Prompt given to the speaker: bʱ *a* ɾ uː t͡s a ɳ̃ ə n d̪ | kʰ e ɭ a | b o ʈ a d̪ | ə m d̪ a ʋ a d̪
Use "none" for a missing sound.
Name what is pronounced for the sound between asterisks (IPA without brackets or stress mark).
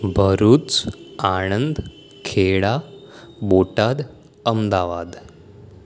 ə